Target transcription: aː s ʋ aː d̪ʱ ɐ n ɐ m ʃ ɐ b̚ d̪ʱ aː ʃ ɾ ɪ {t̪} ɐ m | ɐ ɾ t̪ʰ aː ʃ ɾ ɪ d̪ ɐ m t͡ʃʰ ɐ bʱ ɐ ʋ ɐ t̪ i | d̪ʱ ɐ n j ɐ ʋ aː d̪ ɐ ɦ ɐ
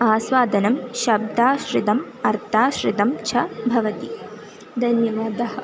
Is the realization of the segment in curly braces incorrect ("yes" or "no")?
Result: yes